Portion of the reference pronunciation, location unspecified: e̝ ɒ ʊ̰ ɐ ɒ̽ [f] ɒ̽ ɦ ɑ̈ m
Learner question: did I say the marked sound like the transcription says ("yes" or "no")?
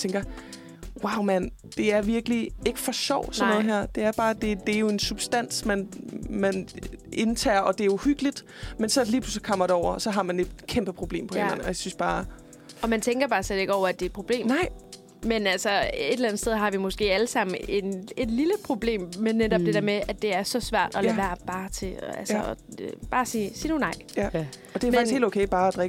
no